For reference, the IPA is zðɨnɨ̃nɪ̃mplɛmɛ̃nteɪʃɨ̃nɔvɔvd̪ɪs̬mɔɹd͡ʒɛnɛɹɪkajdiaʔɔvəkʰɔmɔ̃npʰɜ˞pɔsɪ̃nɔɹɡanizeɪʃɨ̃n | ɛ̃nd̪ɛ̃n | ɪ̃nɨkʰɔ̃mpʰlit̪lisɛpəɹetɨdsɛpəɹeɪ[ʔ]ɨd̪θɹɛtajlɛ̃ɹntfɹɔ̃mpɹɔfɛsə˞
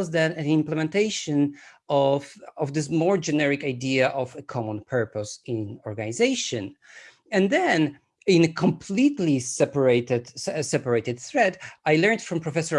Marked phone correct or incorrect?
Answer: incorrect